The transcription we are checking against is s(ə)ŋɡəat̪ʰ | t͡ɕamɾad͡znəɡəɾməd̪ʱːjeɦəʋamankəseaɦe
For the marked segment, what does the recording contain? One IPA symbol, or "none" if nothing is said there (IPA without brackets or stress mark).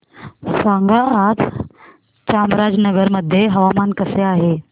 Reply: a